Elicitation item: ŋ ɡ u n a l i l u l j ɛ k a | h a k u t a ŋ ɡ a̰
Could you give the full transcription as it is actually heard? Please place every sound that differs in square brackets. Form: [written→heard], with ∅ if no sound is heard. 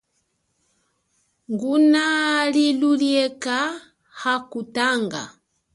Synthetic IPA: ŋ ɡ u n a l i l u l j ɛ k a | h a k u t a ŋ ɡ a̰